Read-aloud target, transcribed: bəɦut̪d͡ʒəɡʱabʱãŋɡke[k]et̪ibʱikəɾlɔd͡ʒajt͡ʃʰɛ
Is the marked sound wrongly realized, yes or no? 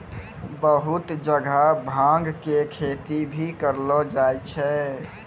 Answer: yes